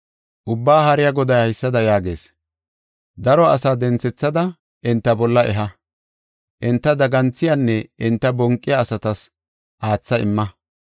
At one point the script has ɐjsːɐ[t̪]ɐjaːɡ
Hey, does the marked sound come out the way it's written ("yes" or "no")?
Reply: no